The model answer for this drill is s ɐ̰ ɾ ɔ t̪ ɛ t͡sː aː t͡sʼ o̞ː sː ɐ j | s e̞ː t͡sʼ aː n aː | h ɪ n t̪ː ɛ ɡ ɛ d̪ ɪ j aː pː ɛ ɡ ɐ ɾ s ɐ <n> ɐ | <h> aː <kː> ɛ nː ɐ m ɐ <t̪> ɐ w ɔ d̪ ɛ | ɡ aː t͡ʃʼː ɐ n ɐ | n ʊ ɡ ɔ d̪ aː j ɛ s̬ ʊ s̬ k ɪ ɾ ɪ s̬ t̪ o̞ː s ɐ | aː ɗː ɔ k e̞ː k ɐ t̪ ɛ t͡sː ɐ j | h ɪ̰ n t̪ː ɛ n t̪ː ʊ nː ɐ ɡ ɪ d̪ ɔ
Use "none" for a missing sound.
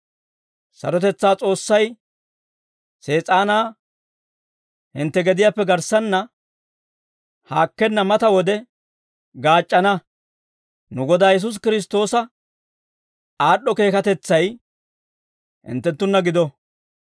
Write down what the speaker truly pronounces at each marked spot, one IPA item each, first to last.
nː, h, kː, t̪

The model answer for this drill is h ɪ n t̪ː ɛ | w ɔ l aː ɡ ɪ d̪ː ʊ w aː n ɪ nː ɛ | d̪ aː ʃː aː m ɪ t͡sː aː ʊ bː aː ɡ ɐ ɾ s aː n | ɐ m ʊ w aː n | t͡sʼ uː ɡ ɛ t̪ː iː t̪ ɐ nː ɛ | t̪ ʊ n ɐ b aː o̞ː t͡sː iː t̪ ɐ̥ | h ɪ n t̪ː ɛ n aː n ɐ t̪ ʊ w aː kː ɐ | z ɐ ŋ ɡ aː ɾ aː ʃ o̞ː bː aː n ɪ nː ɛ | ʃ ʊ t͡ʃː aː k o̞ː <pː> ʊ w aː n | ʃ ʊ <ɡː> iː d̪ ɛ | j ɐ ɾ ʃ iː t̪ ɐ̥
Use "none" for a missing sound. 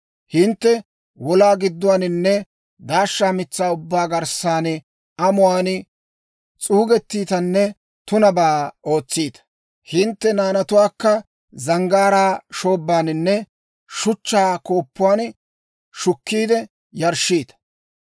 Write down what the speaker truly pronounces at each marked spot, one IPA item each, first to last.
pː, kː

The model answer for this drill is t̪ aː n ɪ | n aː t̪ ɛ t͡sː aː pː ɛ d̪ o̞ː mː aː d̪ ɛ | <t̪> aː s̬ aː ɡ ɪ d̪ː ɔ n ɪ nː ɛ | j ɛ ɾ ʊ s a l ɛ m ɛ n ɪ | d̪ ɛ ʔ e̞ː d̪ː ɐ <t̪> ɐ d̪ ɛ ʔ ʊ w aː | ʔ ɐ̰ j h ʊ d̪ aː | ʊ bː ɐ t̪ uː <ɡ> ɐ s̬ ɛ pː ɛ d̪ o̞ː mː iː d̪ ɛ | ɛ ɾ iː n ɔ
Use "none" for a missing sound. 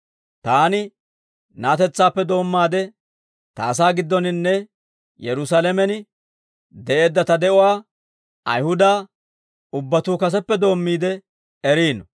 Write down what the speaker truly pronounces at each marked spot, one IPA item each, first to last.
t̪, t̪, k

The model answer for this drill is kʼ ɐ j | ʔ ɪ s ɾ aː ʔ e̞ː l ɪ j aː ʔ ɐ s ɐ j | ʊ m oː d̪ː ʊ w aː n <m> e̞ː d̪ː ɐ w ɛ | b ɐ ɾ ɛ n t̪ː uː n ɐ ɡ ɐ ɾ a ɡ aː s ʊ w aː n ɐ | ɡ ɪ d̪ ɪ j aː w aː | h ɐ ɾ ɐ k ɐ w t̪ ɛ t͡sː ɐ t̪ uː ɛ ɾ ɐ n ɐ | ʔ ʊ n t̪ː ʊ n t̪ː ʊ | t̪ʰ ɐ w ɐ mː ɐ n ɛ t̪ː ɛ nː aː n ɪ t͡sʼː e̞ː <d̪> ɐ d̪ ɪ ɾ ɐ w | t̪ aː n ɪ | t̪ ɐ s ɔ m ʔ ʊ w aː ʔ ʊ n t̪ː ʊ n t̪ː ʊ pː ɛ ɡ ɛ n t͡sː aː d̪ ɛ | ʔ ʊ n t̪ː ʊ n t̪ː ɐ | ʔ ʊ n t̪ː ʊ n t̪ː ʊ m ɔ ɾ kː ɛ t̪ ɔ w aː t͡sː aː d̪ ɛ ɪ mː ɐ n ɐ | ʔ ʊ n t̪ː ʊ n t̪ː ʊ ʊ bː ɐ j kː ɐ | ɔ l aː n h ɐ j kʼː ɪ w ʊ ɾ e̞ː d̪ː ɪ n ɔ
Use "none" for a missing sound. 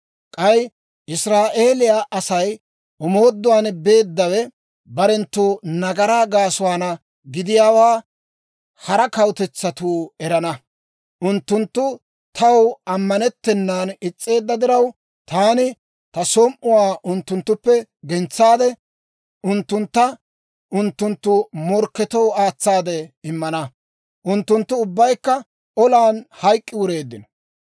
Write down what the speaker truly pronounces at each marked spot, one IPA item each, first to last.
b, d̪ː

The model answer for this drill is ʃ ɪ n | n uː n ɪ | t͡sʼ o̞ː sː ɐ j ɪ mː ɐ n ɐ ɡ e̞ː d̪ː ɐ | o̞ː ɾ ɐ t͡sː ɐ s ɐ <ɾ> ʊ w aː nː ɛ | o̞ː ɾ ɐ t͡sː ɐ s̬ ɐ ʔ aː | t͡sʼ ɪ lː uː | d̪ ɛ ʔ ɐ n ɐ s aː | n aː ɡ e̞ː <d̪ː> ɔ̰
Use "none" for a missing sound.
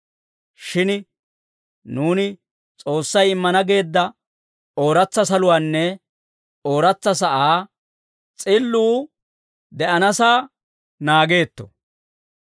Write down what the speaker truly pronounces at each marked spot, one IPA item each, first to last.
l, t̪ː

